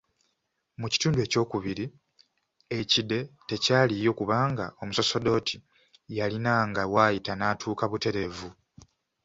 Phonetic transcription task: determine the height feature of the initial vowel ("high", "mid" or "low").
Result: high